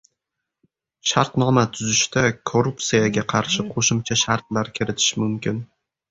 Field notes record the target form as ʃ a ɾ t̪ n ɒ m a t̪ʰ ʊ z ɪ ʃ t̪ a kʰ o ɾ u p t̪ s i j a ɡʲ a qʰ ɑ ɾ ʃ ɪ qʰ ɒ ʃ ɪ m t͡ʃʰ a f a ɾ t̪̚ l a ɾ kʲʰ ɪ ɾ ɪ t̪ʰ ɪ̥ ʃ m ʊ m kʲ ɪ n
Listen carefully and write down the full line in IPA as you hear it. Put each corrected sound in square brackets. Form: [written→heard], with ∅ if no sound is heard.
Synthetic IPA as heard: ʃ a ɾ t̪ n ɒ m a t̪ʰ ʊ z ɪ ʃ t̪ a kʰ o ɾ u p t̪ s i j a ɡʲ a qʰ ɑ ɾ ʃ ɪ qʰ [ɒ→o] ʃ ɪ m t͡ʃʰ a [f→ʃ] a ɾ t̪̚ l a ɾ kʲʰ ɪ ɾ ɪ t̪ʰ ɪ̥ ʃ m ʊ m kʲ ɪ n